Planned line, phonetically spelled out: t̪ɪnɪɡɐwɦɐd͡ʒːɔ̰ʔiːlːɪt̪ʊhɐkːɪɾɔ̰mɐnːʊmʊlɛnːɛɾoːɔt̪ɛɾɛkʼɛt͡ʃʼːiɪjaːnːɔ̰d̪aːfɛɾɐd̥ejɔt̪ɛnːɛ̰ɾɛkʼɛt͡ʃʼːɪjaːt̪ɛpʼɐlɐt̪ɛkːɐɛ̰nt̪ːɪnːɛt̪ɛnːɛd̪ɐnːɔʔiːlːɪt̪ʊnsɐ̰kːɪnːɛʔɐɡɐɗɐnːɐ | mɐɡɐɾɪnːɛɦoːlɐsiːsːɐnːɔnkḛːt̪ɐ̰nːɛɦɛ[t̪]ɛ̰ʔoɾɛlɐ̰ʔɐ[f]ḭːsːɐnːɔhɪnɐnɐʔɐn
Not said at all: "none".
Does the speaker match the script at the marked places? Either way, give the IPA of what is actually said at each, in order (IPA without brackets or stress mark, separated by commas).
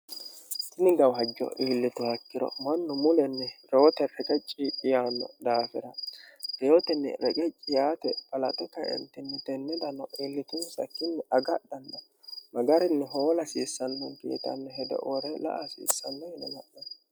d̪, s